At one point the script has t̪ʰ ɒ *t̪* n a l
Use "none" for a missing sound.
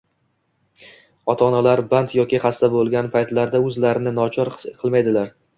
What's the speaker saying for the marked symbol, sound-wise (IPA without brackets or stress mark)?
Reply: none